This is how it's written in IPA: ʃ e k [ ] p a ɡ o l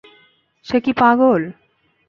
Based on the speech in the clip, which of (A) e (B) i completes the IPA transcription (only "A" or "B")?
B